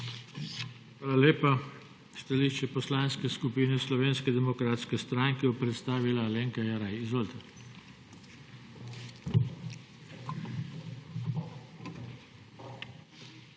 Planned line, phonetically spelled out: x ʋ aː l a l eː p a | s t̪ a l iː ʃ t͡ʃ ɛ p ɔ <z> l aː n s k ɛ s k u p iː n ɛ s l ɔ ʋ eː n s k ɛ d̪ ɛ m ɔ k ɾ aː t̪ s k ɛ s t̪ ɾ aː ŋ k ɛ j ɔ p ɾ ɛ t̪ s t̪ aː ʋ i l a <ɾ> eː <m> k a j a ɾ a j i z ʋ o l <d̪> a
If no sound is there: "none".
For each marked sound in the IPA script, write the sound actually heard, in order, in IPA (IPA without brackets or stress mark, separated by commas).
s, l, ŋ, t̪